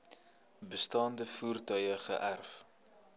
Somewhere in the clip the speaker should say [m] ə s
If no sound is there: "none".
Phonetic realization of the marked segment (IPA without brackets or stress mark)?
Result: b